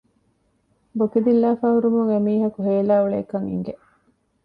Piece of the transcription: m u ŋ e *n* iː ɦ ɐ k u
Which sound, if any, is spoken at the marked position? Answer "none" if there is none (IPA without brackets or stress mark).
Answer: m